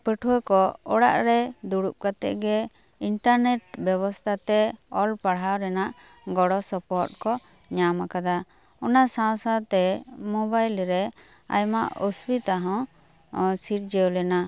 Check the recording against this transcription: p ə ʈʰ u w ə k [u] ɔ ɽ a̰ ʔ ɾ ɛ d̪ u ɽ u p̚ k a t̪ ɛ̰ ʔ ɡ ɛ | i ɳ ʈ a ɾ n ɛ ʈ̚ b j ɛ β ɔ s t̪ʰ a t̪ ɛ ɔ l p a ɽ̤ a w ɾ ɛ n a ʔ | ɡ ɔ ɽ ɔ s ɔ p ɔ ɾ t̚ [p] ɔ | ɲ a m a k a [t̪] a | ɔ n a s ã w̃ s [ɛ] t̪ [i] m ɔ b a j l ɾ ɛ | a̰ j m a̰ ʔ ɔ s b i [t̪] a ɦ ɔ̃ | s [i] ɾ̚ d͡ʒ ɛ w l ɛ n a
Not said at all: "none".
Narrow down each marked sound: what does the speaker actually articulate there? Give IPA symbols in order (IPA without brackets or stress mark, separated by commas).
ɔ, k, d̪, a, ɛ, t̪, i